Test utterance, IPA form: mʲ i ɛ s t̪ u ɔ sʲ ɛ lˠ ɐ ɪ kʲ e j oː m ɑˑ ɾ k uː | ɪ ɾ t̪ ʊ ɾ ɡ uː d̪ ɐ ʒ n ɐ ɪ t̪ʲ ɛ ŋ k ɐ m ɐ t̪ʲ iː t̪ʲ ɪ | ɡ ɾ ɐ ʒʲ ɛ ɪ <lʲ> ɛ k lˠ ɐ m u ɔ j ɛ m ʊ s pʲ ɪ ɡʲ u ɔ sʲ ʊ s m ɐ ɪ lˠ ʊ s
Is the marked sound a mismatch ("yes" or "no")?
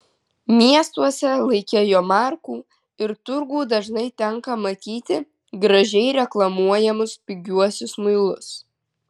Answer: yes